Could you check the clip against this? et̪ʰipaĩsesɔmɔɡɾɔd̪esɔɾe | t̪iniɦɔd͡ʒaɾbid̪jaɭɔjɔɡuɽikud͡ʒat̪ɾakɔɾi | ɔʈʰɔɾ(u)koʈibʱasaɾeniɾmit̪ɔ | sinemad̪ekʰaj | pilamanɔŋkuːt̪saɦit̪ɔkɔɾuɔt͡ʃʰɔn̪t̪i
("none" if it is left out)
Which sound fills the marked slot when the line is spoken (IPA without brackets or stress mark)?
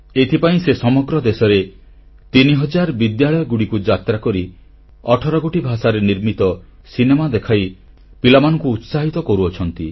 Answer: ɔ